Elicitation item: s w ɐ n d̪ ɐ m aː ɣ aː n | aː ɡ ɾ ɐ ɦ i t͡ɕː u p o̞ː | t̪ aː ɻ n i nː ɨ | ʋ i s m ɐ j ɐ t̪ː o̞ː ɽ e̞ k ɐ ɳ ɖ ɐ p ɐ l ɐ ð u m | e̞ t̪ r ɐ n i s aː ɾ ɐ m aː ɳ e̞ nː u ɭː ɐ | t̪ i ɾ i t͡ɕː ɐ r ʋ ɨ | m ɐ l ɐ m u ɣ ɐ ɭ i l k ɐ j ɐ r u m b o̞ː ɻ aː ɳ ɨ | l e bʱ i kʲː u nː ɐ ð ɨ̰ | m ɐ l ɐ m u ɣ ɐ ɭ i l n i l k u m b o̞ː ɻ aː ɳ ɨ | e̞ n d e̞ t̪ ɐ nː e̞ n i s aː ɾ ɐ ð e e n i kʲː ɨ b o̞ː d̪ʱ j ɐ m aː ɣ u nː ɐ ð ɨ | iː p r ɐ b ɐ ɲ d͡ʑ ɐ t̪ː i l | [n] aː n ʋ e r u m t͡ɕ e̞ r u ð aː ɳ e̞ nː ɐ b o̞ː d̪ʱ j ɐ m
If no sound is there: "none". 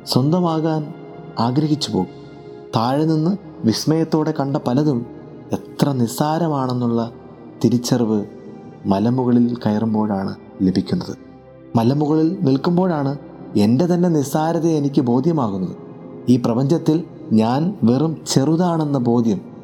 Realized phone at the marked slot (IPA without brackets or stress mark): ɲ